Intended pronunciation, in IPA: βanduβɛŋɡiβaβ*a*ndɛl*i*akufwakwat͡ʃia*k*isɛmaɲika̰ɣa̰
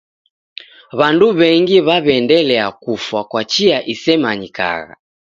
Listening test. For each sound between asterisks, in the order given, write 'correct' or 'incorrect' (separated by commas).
incorrect, incorrect, incorrect